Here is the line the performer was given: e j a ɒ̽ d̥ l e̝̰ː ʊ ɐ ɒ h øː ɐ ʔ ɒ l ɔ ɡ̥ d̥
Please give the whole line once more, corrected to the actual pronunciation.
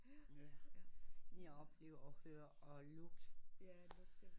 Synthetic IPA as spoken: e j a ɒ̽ b̥ l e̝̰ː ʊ ɐ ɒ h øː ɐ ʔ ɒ l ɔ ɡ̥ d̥